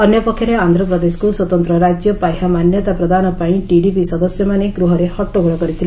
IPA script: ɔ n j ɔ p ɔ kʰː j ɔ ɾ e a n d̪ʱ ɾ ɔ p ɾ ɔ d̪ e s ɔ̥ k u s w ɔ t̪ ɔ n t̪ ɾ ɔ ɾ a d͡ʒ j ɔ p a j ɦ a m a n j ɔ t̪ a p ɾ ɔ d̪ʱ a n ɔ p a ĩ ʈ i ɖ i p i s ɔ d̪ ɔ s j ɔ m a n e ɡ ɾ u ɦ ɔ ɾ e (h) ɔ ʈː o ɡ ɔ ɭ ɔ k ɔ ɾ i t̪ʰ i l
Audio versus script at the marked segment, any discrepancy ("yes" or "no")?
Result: no